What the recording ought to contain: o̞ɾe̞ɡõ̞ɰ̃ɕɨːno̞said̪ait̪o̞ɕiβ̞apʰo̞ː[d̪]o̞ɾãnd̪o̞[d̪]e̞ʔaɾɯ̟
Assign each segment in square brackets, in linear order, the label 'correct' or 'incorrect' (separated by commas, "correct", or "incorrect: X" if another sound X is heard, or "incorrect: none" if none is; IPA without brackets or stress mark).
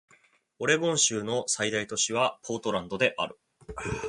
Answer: incorrect: t̪, correct